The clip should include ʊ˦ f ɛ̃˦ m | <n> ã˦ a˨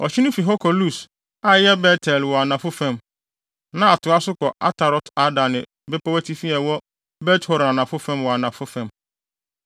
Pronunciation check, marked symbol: correct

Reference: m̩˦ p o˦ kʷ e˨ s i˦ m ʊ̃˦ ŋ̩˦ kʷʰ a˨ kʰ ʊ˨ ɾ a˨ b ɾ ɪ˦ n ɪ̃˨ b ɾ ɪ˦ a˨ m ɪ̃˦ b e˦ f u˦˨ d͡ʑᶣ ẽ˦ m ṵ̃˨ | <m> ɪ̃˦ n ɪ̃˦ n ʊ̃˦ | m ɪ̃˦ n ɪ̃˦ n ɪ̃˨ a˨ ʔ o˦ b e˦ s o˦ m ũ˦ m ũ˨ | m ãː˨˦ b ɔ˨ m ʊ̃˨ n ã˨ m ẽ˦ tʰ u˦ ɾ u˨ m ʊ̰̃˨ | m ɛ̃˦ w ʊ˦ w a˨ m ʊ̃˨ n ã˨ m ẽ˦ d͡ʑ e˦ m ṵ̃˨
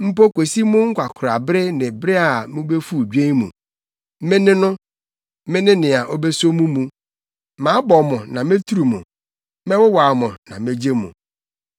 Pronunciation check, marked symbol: correct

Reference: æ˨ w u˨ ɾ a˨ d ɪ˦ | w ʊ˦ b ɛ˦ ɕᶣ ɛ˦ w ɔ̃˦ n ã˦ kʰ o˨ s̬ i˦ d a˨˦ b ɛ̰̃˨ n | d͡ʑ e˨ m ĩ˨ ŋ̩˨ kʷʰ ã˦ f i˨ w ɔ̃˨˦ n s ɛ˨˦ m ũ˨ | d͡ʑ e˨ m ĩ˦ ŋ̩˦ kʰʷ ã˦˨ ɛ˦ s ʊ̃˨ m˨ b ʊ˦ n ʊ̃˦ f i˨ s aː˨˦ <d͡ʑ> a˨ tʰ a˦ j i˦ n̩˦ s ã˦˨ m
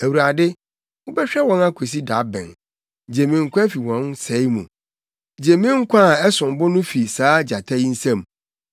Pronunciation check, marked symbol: correct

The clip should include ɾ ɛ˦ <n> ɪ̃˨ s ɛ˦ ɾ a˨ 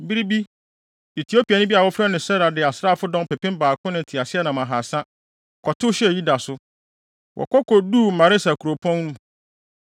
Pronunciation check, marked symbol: correct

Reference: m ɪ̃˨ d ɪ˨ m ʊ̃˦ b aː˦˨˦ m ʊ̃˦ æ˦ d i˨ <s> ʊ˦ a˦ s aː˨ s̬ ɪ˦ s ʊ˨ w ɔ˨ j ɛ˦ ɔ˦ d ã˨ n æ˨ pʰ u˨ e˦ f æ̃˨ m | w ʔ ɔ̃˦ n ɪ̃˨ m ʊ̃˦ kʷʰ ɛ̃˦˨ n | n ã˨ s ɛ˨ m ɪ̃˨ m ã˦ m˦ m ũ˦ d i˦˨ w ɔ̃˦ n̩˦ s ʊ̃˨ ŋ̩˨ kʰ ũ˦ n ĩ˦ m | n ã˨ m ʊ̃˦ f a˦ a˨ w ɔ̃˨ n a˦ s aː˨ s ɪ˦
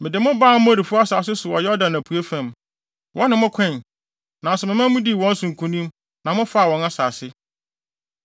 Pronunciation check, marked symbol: incorrect: f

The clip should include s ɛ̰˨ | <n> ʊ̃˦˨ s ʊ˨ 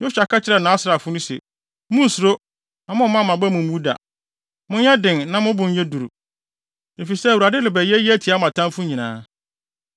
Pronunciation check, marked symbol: incorrect: m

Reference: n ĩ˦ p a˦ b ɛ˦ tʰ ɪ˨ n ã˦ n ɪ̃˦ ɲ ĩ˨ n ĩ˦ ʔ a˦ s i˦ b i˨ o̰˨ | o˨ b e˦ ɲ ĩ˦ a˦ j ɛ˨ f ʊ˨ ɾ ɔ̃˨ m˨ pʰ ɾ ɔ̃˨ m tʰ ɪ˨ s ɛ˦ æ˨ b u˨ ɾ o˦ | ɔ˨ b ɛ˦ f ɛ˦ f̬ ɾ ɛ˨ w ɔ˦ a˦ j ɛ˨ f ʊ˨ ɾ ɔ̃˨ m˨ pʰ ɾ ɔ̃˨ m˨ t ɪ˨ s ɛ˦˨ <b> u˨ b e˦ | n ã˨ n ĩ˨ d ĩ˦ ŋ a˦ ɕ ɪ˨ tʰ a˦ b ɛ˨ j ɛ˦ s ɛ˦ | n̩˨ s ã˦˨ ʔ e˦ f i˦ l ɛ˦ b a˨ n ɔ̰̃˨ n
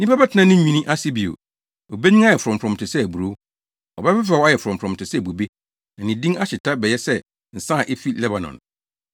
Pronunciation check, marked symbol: correct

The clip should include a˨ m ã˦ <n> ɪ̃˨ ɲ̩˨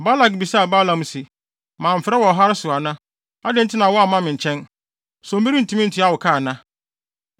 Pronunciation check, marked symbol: incorrect: m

